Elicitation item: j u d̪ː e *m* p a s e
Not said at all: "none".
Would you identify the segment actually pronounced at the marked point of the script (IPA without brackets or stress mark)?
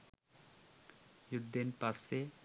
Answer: n